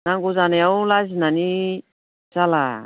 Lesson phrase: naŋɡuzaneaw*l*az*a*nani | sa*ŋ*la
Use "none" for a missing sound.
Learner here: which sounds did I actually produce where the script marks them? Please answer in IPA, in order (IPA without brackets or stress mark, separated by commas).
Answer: l, i, none